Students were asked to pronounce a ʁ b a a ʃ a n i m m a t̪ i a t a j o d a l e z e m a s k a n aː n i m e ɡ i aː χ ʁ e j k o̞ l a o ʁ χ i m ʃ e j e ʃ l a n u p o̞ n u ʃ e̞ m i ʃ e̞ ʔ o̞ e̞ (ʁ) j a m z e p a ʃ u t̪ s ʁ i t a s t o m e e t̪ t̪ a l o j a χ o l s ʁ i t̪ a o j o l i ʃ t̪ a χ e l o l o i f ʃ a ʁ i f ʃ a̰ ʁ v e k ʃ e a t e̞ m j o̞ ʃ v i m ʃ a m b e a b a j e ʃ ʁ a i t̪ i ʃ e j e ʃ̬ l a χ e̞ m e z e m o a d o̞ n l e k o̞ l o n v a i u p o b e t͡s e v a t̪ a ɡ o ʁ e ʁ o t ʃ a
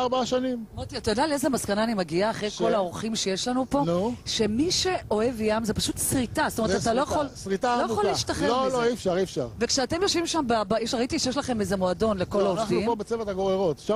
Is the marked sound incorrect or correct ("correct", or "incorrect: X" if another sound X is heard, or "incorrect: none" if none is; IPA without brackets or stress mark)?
incorrect: v